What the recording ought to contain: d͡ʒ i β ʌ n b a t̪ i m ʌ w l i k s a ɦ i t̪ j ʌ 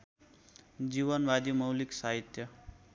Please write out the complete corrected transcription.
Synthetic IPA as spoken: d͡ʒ i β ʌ n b a d̪ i m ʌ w l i k s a ɦ i t̪ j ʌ